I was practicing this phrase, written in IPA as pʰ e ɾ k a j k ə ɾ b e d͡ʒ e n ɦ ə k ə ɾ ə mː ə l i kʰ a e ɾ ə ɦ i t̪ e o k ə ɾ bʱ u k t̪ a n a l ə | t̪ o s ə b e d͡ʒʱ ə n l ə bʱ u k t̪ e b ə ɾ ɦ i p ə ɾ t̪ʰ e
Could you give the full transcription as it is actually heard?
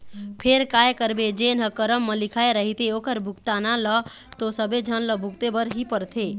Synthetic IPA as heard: pʰ e ɾ k a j k ə ɾ b e d͡ʒ e n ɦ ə k ə ɾ ə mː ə l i kʰ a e ɾ ə ɦ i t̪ e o k ə ɾ bʱ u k t̪ a n a l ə | t̪ o s ə b e d͡ʒʱ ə n l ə bʱ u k t̪ e b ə ɾ ɦ i p ə ɾ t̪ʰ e